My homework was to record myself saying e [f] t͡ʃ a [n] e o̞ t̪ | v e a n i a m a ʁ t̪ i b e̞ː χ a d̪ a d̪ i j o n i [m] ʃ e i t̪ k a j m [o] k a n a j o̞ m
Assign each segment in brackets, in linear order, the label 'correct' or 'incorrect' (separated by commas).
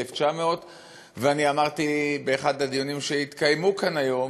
correct, incorrect, correct, incorrect